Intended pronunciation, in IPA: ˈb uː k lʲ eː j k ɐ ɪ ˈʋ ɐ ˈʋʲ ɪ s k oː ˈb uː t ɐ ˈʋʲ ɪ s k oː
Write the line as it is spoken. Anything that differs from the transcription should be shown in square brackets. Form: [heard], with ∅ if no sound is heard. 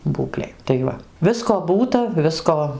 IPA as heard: ˈb uː k lʲ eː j [t] ɐ ɪ ˈʋ ɐ ˈʋʲ ɪ s k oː ˈb uː t ɐ ˈʋʲ ɪ s k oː